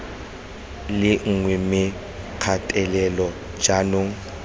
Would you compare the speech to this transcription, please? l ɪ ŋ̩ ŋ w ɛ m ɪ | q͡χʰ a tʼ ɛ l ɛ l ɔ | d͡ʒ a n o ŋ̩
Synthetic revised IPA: l ɪ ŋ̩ ŋ w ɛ m ɪ | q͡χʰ a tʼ ɛ l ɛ l ɔ | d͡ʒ a n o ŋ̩